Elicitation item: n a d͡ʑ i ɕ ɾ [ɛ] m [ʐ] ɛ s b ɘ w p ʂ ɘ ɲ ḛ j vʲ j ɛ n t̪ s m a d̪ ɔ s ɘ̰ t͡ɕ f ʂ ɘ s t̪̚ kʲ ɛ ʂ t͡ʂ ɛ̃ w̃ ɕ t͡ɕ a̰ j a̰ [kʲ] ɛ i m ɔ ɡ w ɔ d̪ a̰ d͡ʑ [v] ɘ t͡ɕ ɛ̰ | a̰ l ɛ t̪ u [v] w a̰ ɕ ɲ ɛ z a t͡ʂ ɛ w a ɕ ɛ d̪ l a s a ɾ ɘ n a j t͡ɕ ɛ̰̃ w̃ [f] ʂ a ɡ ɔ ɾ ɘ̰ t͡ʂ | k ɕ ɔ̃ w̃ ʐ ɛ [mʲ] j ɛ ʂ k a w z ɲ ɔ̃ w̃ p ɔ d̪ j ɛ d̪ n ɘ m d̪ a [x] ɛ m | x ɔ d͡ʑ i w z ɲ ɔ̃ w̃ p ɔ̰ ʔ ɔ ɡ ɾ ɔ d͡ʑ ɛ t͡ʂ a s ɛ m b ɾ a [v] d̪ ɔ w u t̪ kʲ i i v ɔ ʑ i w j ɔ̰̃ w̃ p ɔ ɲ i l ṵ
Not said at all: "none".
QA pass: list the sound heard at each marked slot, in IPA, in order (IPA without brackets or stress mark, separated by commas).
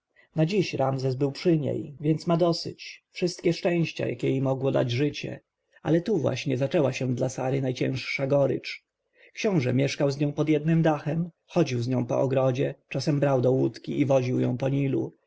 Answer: a, z, kʲ, ʐ, v, ʂ, mʲ, x, w